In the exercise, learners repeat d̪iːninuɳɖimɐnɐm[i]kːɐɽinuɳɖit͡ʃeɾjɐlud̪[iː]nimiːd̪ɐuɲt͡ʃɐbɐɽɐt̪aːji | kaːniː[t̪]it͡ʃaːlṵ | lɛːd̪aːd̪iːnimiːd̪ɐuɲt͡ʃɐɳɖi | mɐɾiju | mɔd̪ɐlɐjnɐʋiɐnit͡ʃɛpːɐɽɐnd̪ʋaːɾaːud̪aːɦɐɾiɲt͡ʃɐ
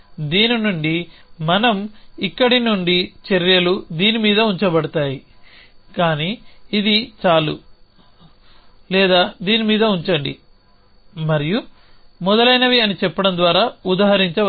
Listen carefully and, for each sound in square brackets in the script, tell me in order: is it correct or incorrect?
correct, correct, incorrect

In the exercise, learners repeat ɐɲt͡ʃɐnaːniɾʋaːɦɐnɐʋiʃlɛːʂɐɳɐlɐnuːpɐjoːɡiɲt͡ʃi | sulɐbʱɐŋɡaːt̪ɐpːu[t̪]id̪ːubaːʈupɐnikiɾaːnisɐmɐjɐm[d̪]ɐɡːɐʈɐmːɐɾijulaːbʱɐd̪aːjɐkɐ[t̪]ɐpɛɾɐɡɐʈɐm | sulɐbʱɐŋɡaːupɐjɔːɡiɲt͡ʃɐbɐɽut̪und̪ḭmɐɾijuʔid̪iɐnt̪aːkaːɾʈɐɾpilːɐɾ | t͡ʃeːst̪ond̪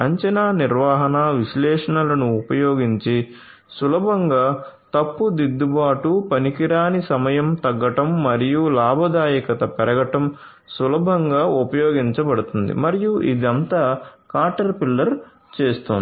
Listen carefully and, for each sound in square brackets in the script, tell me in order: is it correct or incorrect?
incorrect, incorrect, correct

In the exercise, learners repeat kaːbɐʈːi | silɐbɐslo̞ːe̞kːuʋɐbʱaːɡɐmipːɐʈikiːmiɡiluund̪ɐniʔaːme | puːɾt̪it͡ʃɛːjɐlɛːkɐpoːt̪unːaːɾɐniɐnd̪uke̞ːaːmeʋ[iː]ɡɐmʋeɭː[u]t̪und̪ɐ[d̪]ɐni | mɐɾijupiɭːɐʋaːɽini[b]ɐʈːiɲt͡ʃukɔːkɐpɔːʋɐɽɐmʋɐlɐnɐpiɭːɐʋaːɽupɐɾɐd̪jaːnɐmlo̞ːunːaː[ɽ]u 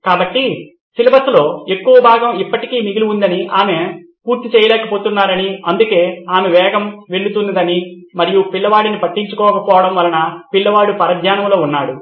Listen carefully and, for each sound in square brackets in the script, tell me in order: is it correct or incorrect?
incorrect, correct, correct, incorrect, correct

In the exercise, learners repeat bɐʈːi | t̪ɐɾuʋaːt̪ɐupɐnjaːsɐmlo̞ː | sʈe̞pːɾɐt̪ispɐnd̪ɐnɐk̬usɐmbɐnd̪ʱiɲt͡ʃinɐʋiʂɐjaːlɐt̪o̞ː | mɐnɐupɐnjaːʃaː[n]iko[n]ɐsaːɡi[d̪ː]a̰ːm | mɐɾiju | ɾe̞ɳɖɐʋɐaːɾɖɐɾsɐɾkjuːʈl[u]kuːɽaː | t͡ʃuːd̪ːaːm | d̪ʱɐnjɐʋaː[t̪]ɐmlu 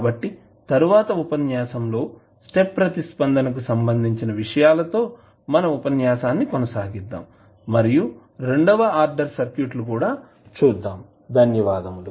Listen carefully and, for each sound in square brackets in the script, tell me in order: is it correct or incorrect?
incorrect, correct, correct, correct, incorrect

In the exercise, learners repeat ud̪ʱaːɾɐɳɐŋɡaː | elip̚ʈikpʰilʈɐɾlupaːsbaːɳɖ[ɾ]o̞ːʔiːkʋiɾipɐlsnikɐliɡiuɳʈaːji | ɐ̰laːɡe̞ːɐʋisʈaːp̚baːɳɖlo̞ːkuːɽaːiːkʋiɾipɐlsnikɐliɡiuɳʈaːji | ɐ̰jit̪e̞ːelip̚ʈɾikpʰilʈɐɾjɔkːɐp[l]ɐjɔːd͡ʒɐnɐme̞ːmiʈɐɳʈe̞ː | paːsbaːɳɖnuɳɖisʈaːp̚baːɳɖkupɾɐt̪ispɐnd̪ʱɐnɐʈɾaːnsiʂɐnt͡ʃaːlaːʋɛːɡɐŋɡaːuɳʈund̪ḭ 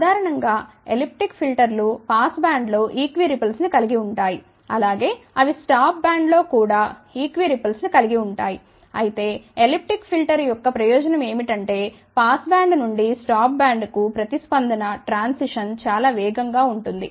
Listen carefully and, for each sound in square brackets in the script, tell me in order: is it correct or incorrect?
incorrect, incorrect

